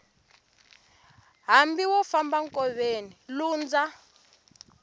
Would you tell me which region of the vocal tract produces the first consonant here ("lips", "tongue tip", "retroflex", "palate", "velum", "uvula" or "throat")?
throat